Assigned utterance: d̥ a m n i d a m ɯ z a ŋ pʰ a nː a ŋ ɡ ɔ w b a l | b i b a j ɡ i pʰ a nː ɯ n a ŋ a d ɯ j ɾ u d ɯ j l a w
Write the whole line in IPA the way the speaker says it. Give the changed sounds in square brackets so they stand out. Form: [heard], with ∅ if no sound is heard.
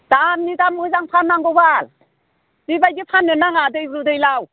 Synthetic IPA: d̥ a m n i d a m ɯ z a ŋ pʰ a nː a ŋ ɡ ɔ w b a l | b i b a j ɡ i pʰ a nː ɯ n a ŋ a d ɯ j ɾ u d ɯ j l a w